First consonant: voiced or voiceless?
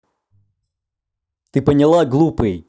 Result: voiceless